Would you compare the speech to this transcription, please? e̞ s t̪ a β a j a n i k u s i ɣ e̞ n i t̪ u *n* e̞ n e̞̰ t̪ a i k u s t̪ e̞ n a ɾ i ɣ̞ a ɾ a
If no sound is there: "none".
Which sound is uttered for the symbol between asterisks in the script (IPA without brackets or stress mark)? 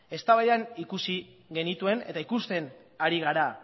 none